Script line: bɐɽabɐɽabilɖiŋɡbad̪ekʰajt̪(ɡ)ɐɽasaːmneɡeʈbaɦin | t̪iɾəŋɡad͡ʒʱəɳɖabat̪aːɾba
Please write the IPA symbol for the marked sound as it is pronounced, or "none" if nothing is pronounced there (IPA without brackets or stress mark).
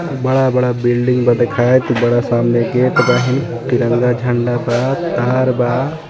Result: b